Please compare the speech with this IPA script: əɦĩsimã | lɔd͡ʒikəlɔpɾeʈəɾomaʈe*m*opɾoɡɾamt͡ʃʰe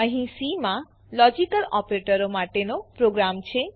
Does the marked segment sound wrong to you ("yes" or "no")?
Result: yes